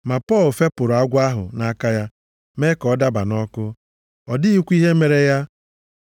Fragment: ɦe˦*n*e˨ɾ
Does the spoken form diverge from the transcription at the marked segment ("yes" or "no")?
yes